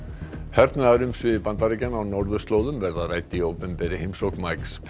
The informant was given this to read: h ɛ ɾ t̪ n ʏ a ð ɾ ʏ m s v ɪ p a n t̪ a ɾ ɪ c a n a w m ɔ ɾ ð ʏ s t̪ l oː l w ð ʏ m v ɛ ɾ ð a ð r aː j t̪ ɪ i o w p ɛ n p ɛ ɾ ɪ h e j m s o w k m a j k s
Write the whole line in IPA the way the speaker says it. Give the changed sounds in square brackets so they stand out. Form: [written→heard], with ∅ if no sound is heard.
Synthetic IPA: h ɛ ɾ t̪ n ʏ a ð ɾ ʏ m s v ɪ p a n t̪ a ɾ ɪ c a n a w [m→n] ɔ ɾ ð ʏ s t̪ l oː [l→∅] w ð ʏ m v ɛ ɾ ð a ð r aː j t̪ ɪ i o w p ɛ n p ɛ ɾ ɪ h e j m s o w k m a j k s